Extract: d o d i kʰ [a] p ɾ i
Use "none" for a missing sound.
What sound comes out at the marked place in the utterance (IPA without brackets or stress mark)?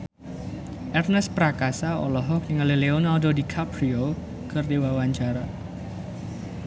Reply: a